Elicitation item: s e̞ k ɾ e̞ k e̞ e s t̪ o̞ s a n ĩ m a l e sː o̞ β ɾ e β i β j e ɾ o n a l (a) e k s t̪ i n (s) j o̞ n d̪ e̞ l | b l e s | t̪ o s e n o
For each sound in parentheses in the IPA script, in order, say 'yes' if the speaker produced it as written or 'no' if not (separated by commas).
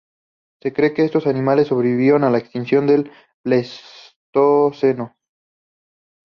yes, yes